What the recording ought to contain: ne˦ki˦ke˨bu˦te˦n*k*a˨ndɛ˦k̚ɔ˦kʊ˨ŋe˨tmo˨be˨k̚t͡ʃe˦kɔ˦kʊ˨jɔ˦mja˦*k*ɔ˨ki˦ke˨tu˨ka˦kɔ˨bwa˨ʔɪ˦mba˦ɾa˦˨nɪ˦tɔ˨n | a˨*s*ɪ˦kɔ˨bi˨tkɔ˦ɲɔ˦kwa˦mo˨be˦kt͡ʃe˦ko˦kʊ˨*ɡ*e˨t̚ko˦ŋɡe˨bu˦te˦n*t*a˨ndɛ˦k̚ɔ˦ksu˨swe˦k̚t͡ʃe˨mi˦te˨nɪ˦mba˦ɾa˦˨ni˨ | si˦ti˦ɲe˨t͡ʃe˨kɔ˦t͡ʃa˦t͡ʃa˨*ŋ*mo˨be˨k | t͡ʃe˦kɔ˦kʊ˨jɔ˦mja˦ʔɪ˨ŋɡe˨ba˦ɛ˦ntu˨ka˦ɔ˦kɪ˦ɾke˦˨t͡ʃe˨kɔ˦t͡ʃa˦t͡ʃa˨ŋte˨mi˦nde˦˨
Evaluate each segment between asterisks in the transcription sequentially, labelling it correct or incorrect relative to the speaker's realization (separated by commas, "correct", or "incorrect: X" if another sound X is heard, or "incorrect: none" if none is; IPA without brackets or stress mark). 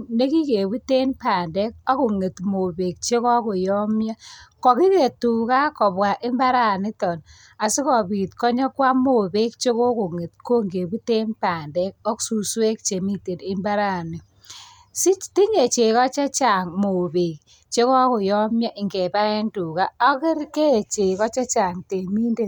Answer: incorrect: p, correct, correct, incorrect: ŋ, incorrect: p, correct